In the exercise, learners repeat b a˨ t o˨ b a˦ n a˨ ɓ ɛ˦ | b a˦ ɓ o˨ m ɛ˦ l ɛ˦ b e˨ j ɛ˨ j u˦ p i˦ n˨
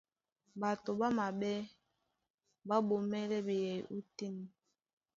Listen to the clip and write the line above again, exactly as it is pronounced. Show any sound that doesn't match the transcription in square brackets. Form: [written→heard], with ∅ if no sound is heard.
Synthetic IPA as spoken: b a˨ t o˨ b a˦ [n→m] a˨ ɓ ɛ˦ | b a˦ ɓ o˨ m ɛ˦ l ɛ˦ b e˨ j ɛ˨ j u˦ [p→t] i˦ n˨